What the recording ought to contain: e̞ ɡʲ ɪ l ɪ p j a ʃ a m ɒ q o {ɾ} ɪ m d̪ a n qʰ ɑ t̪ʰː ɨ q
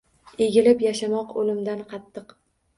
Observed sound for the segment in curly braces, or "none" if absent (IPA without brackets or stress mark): l